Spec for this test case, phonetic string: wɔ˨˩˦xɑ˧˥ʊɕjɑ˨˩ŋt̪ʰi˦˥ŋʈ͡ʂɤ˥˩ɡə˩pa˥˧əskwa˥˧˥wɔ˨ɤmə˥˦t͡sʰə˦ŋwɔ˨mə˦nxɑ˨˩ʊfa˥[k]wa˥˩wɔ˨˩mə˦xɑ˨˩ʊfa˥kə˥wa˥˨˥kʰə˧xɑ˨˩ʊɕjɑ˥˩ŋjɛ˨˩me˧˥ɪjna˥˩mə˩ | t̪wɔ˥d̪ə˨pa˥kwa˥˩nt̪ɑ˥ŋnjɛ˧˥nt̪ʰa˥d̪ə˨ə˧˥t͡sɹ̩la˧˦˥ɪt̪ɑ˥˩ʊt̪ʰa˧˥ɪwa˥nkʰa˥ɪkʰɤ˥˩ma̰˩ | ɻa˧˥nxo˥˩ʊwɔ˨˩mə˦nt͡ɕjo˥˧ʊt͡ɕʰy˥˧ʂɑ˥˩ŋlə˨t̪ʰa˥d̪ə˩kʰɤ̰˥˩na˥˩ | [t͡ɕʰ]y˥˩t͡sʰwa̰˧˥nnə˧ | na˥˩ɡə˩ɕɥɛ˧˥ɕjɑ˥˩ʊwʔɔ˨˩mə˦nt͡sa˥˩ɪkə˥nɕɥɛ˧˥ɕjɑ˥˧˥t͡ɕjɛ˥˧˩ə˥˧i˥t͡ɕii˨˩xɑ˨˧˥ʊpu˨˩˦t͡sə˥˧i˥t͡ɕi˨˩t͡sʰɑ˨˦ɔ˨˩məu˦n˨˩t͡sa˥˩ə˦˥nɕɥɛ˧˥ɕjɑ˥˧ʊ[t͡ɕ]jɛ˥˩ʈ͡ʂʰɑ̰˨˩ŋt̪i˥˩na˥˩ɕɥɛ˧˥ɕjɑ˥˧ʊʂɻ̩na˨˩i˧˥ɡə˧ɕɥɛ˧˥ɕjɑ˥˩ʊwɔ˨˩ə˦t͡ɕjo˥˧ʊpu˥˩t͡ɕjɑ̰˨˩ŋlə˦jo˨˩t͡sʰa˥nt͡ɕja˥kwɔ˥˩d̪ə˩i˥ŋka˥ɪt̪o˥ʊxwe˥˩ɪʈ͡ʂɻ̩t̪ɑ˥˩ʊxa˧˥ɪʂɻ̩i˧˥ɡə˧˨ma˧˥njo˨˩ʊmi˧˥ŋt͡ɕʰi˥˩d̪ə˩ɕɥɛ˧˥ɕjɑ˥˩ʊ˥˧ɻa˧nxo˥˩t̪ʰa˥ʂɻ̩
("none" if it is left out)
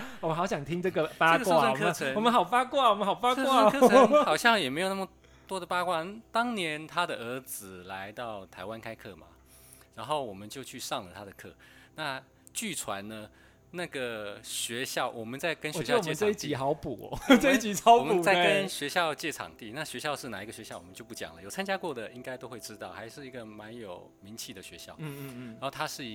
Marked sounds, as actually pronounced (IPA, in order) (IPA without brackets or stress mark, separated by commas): k, t͡ɕ, t͡ɕ